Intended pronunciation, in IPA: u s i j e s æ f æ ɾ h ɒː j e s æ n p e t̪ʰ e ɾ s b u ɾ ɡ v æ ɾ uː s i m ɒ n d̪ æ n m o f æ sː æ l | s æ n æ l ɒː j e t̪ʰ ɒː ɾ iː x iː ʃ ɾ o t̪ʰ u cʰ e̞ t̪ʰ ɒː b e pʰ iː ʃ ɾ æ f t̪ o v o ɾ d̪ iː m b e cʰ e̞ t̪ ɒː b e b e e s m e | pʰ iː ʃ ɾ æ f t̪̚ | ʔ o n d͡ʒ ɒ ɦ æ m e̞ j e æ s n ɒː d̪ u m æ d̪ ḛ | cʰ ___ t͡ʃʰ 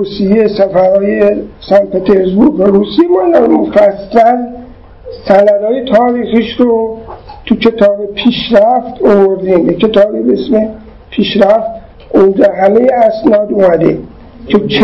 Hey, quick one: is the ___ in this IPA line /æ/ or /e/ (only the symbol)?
e